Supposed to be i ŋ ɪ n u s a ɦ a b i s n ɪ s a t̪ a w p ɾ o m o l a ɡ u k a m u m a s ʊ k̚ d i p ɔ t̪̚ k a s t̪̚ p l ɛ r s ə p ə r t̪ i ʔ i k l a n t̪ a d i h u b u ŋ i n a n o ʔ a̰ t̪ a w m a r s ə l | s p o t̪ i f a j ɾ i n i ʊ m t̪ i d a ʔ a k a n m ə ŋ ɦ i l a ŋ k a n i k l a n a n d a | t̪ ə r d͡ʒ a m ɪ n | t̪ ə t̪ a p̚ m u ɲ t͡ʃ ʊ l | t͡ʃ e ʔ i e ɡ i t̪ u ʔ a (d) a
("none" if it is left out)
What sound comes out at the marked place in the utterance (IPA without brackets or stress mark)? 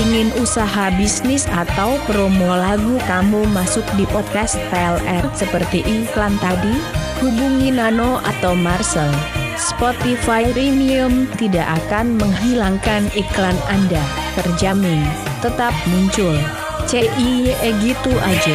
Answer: d͡ʒ